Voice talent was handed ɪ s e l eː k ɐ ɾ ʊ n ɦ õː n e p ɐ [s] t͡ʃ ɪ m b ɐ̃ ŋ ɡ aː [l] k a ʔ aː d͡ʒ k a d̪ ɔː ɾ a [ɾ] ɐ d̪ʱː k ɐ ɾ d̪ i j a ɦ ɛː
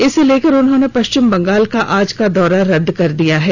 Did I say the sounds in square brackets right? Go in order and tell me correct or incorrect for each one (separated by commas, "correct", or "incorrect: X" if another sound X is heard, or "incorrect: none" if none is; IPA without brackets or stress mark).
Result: incorrect: ʃ, correct, correct